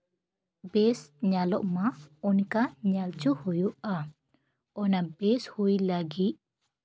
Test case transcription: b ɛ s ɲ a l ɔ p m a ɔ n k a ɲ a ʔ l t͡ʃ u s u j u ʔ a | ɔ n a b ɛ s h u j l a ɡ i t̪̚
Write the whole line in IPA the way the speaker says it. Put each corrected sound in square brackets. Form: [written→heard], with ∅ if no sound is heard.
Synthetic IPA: b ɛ s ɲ a l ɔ [p→ʔ] m a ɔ n k a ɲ a [ʔ→∅] l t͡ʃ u [s→h] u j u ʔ a | ɔ n a b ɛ s h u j l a ɡ i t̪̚